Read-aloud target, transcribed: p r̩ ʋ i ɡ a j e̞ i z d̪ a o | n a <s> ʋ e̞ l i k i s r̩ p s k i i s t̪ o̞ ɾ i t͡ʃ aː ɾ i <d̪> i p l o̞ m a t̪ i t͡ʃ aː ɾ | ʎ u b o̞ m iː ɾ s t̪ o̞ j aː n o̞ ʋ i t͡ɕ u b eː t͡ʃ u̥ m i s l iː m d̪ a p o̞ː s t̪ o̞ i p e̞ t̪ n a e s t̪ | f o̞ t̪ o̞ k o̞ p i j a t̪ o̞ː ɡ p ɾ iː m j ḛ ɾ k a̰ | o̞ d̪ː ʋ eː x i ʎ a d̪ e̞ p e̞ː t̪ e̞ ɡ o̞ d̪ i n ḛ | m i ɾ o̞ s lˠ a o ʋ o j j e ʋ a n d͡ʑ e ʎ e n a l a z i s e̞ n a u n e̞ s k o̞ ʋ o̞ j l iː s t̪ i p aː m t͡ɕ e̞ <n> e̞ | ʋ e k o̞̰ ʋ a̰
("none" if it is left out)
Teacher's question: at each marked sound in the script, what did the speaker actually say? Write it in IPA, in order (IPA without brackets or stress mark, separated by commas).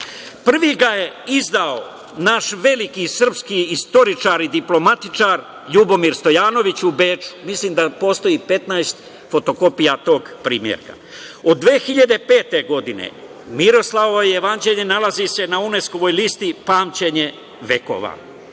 ʃ, d̪, ɲ